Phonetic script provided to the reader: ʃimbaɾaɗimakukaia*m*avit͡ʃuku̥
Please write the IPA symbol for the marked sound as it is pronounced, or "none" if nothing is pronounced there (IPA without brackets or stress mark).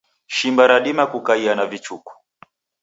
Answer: n